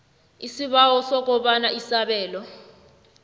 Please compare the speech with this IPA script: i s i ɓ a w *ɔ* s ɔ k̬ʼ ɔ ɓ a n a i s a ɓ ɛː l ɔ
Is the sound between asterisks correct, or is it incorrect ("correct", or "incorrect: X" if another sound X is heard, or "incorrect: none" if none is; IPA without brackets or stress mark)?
correct